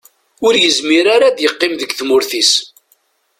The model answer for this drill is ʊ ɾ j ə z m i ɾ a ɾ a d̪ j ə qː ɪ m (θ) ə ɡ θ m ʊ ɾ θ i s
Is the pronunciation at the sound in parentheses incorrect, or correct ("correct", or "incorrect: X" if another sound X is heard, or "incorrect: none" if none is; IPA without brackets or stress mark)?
incorrect: ð